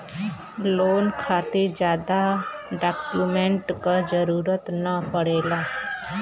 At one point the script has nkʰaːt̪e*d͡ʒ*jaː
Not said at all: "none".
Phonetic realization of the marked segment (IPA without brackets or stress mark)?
d͡ʒ